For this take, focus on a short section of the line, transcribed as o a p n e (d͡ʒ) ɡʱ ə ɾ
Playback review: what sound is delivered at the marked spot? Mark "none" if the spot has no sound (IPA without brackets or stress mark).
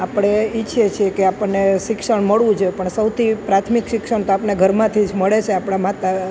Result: none